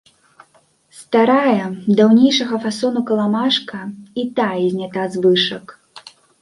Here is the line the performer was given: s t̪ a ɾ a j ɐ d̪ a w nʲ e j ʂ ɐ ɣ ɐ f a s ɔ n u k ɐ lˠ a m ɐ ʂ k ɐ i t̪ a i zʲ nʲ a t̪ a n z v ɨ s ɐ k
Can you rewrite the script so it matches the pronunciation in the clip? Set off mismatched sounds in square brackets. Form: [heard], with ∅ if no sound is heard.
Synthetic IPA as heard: s t̪ a ɾ a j ɐ d̪ a w nʲ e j ʂ ɐ ɣ ɐ f a s ɔ n u k ɐ lˠ a m [a] ʂ k ɐ i t̪ a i zʲ nʲ a t̪ a [∅] z v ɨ [ʂ] ɐ k